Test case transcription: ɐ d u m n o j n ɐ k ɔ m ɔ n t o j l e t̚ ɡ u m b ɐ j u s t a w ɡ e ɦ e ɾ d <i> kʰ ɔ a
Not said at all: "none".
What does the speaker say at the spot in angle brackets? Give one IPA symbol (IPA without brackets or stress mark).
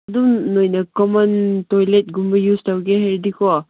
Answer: i